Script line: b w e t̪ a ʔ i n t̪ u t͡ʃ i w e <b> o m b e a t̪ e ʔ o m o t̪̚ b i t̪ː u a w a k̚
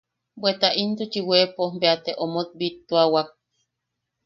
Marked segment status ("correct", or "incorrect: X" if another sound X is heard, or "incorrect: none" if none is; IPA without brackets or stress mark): incorrect: p